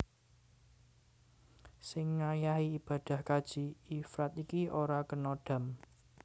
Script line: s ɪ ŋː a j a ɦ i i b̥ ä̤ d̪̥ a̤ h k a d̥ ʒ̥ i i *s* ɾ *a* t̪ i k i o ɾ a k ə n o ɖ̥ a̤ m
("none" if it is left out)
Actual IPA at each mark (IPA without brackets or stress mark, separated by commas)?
f, a